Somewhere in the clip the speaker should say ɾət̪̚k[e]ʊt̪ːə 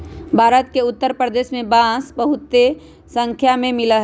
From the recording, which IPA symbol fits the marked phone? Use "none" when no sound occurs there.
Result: e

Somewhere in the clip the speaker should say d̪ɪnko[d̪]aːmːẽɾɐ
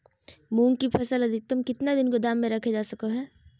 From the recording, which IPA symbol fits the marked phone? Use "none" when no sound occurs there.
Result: d̪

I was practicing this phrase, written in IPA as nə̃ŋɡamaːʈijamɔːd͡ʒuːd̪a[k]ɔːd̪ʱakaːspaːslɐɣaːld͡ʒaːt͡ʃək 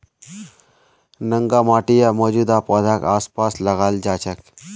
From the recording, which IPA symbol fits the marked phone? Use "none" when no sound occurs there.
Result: p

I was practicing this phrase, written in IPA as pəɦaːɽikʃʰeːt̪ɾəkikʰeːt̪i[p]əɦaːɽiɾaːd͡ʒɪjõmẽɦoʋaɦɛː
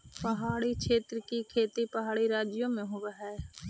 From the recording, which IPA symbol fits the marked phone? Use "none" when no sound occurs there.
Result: p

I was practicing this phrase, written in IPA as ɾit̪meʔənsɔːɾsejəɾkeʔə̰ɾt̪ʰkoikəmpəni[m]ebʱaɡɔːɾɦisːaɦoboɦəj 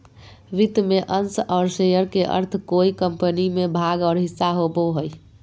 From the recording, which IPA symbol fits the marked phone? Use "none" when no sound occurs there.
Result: m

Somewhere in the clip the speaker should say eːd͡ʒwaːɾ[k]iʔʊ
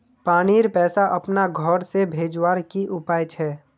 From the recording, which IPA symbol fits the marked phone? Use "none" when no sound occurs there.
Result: k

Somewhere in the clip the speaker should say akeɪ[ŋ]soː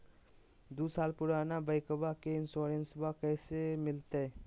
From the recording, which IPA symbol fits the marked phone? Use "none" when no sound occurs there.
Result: n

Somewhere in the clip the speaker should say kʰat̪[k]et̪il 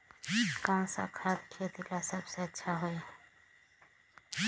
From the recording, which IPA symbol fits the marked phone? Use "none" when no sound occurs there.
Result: kʰ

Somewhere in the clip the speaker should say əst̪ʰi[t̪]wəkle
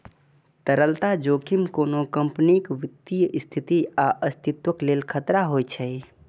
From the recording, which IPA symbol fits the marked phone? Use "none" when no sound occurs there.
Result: t̪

